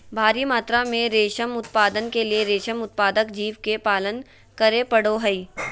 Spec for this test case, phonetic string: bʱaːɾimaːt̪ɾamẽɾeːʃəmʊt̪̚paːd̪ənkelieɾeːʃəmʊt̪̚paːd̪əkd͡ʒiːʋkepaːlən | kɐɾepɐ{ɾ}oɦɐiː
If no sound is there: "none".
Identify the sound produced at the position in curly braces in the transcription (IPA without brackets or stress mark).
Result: ɽ